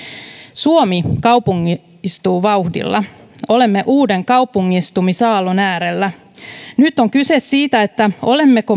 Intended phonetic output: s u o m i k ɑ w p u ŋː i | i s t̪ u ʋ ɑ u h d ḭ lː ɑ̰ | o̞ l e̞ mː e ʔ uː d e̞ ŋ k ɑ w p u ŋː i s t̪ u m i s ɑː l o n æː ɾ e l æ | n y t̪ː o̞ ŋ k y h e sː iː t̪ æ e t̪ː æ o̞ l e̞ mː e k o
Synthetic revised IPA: s u o m i k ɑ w p u ŋː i | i s t̪ uː ʋ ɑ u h d ḭ lː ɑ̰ | o̞ l e̞ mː e ʔ uː d e̞ ŋ k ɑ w p u ŋː i s t̪ u m i s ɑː l o n æː ɾ e lː æ | n y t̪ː o̞ ŋ k y s e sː iː t̪ æ e t̪ː æ o̞ l e̞ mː e k o